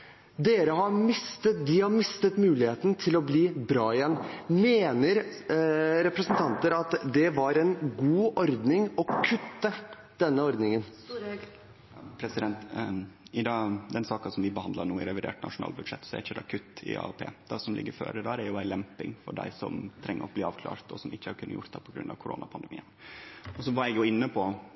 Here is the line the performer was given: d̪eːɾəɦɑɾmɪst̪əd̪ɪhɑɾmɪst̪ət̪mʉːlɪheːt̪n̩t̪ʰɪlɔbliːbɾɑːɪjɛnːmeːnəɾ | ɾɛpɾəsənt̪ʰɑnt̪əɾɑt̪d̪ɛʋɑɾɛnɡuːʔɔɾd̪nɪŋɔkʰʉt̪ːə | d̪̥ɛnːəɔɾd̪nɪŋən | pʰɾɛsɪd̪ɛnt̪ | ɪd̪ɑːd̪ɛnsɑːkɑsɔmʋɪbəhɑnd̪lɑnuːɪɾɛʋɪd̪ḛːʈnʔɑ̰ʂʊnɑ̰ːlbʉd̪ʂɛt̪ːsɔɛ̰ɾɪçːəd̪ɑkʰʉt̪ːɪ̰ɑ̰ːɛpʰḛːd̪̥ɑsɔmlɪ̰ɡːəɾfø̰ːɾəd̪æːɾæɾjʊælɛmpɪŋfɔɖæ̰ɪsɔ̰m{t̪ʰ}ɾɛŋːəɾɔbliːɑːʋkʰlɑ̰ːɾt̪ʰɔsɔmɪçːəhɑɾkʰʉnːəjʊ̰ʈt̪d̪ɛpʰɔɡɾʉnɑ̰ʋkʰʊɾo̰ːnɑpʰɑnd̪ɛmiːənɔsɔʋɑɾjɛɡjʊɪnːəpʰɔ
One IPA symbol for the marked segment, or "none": t̪ʰ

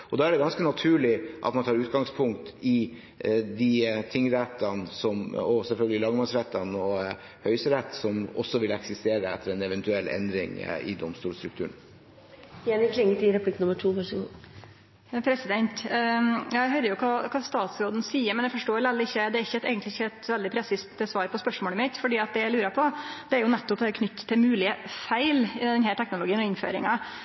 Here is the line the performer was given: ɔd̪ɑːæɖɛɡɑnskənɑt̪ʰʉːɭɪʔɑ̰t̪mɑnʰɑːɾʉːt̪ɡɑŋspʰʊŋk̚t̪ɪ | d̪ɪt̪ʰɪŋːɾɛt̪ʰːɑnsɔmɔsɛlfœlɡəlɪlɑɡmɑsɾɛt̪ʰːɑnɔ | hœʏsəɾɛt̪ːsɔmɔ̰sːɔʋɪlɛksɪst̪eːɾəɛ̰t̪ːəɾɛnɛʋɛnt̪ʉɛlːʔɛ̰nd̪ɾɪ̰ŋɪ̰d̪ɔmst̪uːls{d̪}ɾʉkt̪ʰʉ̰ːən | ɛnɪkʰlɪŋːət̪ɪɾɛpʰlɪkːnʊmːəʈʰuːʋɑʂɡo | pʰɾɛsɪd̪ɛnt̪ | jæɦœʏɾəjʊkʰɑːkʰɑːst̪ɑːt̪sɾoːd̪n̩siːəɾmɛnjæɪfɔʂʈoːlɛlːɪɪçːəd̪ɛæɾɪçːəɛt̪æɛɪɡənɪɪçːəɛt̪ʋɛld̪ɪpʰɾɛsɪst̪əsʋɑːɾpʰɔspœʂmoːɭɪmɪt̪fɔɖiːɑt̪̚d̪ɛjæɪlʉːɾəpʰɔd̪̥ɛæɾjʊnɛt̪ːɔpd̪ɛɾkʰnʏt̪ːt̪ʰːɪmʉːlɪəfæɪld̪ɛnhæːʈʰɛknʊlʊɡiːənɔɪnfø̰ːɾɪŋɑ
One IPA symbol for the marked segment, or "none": t̪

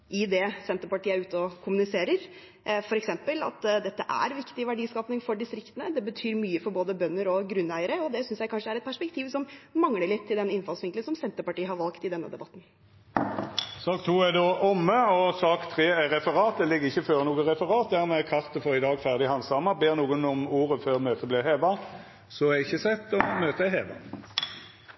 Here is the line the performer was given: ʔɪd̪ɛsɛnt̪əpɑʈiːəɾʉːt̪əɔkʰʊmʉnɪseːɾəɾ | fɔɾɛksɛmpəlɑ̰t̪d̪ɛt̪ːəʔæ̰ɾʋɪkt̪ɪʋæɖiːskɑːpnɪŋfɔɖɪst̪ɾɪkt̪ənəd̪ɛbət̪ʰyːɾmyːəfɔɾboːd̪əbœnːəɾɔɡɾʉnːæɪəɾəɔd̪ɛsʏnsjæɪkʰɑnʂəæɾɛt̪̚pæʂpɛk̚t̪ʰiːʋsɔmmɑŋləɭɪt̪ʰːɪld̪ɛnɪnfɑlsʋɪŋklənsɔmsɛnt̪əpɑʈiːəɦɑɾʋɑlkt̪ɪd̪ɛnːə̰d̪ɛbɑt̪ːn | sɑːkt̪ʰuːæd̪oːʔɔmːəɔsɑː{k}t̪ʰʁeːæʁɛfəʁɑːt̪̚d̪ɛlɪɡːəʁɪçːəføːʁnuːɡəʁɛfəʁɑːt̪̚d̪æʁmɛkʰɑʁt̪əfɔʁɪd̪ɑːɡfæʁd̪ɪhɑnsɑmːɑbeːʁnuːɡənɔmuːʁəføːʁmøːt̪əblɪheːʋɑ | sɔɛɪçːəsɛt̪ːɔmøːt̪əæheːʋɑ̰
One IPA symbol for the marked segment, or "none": k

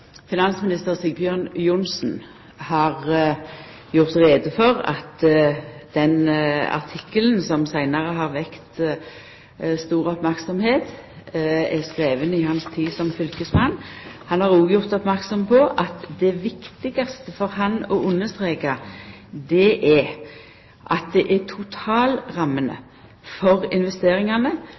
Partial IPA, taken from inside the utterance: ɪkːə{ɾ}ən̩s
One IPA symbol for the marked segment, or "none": l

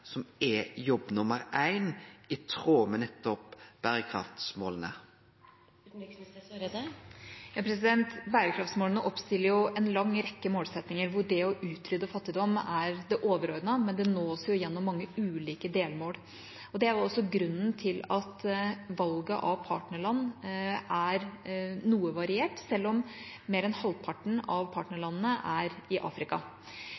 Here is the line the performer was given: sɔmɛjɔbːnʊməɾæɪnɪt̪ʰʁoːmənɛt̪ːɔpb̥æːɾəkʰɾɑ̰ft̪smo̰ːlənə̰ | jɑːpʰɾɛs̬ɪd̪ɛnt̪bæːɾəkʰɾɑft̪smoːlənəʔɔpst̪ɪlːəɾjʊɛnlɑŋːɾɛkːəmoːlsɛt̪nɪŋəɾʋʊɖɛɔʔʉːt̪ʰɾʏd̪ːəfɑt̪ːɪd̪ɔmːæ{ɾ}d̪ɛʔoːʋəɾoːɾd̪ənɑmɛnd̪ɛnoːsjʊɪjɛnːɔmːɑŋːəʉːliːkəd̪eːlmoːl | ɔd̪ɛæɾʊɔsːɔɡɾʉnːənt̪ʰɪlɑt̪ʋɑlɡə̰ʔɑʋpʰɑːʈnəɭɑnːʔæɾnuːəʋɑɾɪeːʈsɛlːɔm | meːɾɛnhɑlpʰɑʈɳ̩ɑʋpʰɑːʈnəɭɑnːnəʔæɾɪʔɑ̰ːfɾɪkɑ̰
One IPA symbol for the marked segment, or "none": ɾ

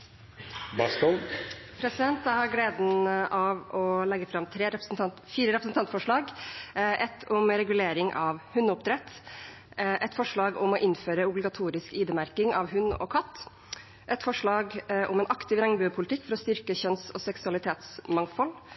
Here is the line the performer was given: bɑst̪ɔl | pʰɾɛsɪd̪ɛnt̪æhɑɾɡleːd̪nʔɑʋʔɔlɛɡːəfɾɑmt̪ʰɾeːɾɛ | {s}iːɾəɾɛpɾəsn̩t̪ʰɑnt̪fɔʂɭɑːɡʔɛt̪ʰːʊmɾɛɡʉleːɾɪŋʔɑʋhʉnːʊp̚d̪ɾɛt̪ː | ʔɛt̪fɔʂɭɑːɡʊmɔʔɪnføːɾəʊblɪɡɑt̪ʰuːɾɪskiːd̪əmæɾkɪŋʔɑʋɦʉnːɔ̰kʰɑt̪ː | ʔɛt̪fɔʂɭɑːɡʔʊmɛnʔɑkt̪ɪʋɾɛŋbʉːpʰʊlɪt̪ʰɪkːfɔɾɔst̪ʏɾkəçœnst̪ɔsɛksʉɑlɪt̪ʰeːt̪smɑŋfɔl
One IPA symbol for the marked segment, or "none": f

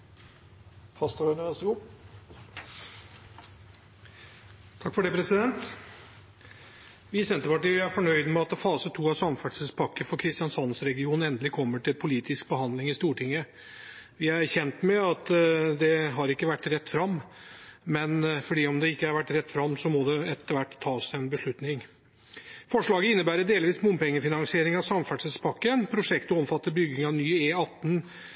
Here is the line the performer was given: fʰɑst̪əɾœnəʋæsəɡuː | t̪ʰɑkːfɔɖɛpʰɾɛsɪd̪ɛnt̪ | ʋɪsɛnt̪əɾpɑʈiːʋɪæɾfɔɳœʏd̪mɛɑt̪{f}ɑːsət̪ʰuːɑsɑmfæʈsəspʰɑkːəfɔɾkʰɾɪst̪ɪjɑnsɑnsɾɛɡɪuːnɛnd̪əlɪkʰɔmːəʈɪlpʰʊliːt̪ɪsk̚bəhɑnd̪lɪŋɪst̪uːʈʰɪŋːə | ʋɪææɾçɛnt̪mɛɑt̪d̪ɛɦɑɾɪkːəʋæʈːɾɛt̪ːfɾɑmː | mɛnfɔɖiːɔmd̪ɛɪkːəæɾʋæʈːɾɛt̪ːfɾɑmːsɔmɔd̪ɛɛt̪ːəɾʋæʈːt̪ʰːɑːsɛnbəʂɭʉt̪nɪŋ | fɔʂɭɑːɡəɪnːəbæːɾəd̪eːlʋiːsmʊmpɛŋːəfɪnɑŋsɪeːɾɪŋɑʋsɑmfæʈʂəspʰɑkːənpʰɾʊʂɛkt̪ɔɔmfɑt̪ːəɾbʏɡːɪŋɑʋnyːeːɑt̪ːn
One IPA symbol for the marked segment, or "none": f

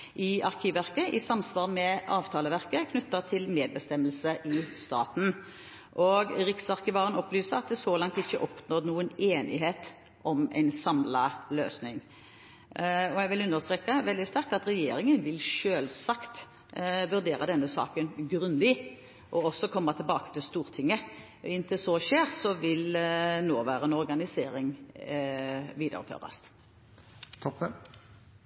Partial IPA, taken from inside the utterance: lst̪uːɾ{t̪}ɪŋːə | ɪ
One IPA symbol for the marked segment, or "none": t̪ʰ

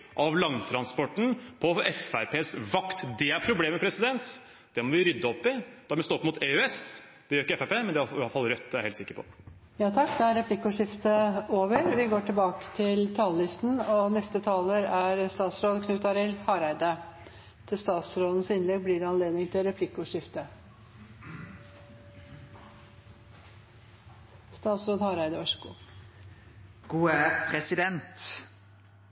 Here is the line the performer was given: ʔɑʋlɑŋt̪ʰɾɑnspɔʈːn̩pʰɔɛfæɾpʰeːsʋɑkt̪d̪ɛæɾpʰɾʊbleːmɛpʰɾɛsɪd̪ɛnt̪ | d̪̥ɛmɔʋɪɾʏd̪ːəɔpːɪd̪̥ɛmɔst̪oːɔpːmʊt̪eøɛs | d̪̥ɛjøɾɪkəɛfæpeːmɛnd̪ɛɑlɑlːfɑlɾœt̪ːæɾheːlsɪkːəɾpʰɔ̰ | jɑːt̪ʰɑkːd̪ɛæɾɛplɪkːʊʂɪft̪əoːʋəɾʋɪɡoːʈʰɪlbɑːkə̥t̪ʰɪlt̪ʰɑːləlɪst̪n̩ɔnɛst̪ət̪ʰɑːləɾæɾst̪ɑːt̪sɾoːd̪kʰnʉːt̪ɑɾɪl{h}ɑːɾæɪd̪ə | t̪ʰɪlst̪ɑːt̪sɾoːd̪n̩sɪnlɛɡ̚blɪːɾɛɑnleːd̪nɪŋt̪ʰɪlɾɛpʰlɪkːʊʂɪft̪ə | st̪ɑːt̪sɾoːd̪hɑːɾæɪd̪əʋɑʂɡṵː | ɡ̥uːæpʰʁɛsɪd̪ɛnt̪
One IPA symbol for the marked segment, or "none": h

